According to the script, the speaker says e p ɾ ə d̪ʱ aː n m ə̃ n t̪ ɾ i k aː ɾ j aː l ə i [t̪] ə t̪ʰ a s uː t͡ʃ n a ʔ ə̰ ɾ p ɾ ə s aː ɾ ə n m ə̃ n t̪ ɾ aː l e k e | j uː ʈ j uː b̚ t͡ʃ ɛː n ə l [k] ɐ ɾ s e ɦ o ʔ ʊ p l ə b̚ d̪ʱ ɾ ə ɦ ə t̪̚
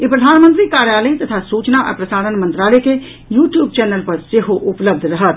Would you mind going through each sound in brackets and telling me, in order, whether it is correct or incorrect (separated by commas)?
correct, incorrect